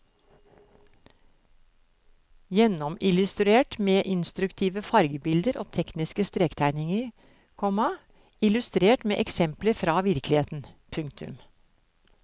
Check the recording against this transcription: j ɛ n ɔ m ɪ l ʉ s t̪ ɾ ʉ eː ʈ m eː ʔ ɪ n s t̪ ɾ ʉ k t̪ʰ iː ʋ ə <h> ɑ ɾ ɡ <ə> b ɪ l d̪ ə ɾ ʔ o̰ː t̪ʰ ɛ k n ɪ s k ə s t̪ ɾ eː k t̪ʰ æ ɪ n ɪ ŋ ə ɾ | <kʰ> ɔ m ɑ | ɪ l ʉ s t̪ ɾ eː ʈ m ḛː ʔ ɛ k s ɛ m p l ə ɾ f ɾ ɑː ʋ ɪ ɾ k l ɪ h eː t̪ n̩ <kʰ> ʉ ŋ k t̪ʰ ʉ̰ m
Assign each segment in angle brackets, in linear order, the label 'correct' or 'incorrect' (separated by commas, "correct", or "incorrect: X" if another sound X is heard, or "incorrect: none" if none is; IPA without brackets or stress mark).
incorrect: f, correct, correct, incorrect: pʰ